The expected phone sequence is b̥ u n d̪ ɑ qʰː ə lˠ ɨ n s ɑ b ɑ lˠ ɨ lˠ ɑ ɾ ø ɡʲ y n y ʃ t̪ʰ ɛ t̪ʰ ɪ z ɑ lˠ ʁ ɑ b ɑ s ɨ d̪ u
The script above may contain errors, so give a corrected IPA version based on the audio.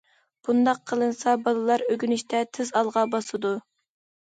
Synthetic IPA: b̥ u n d̪ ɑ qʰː ə lˠ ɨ n s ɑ b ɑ lˠ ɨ lˠ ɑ ɾ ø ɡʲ y n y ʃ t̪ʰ ɛ t̪ʰ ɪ z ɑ lˠ ʁ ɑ b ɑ s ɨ d̪ u